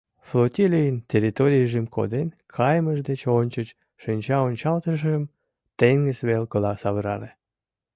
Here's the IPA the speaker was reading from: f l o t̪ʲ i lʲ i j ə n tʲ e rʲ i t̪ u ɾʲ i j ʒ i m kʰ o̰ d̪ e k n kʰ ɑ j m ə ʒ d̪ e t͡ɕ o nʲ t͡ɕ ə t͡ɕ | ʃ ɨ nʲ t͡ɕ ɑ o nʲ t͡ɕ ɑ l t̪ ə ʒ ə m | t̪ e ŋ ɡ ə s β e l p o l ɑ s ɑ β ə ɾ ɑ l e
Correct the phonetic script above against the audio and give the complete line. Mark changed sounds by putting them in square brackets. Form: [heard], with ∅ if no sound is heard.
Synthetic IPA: f l o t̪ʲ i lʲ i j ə n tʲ e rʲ i t̪ [o] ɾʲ i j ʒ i m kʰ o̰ d̪ e [∅] n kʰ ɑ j m ə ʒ d̪ e t͡ɕ o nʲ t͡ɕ ə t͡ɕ | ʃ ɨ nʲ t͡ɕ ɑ o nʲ t͡ɕ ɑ l t̪ ə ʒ ə m | t̪ e ŋ ɡ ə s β e l [k] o l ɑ s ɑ β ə ɾ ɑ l e